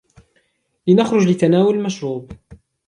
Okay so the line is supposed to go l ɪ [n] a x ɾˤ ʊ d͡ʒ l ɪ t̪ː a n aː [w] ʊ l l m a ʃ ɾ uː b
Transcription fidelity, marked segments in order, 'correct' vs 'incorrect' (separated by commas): correct, correct